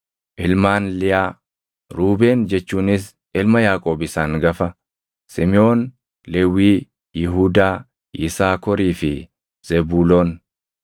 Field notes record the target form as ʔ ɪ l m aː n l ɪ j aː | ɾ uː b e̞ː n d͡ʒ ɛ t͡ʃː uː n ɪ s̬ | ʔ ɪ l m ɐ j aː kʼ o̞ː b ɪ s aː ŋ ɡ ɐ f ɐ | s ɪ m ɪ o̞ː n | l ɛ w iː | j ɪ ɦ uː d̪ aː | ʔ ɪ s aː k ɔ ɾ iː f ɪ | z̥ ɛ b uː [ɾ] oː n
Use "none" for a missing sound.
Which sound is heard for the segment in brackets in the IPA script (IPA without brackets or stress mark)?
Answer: l